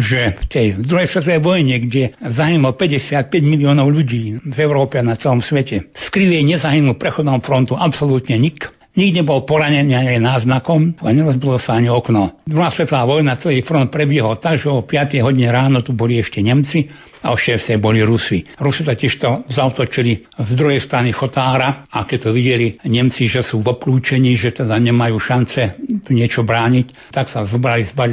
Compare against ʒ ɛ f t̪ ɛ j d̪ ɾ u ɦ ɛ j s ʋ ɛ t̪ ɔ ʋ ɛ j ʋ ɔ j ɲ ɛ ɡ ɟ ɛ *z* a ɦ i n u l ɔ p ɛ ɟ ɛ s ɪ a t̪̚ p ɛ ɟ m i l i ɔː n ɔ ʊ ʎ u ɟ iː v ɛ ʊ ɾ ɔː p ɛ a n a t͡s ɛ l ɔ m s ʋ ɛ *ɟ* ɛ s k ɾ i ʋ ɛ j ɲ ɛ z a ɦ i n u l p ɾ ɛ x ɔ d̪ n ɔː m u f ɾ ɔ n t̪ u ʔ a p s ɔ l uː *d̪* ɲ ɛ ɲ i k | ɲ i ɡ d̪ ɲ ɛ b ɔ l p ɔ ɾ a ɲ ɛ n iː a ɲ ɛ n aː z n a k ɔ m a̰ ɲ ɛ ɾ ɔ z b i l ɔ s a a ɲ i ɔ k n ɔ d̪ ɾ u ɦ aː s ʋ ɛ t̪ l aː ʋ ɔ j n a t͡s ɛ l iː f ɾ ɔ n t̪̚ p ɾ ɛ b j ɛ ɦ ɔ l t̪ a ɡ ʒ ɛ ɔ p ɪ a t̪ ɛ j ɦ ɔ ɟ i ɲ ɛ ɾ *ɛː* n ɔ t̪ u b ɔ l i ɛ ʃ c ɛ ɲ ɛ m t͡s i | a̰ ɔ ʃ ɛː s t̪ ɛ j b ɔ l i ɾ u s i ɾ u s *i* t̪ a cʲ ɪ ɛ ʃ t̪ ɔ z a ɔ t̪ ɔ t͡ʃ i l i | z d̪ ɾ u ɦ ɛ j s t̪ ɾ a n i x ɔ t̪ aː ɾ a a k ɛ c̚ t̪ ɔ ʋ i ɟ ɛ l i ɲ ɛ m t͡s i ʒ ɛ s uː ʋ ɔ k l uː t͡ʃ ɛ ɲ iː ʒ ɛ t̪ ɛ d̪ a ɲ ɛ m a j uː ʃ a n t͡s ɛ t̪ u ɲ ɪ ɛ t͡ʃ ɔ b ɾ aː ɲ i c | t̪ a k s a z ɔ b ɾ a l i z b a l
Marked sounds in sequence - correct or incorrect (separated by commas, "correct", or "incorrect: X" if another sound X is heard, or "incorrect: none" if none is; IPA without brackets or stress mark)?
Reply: correct, incorrect: c, incorrect: t̪, incorrect: aː, correct